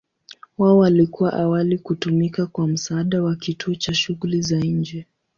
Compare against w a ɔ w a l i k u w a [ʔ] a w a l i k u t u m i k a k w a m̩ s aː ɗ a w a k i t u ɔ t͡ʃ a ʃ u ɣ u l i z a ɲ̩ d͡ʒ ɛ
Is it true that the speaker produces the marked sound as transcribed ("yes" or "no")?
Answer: yes